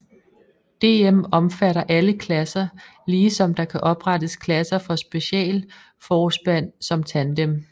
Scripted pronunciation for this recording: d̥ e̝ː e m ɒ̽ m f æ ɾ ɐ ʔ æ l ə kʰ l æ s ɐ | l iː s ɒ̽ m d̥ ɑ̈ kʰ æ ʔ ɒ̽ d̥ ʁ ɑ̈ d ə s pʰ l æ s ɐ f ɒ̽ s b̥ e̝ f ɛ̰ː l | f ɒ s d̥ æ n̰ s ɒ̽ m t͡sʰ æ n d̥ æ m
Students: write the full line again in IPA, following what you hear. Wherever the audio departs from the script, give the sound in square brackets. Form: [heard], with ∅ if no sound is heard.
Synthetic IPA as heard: d̥ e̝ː e m ɒ̽ m f æ ɾ ɐ ʔ æ l ə kʰ l æ s ɐ | l iː s ɒ̽ m d̥ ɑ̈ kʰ æ ʔ ɒ̽ [b̥] ʁ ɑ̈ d ə s [kʰ] l æ s ɐ f ɒ̽ s b̥ e̝ [ɕ] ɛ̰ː l | f [ɒː] s [b̥] æ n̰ s ɒ̽ m t͡sʰ æ n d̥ [e] m